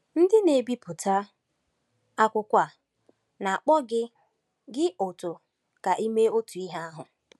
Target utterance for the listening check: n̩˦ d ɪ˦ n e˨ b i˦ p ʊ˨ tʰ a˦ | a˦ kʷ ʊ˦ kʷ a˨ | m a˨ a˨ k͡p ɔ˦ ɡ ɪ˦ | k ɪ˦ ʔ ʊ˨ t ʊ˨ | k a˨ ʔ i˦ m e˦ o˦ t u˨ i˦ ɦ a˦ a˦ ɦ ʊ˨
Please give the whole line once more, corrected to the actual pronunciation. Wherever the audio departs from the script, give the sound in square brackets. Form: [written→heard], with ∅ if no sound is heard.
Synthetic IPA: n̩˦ d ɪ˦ n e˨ b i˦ p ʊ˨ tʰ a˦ | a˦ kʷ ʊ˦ kʷ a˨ | [m→n] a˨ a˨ k͡p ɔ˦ ɡ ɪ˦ | [k→ɡ] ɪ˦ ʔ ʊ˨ t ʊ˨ | k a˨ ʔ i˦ m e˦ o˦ t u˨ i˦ ɦ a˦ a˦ ɦ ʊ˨